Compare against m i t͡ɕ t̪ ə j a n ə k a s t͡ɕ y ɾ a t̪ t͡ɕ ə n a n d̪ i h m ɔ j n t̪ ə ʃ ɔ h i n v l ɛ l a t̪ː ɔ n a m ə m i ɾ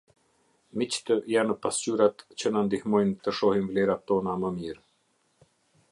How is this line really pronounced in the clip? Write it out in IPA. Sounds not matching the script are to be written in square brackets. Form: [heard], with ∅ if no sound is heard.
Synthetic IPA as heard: m i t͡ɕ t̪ ə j a n ə [p] a s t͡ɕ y ɾ a t̪ t͡ɕ ə n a n d̪ i h m ɔ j n t̪ ə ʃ ɔ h i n v l ɛ [ɾ] a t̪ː ɔ n a m ə m i ɾ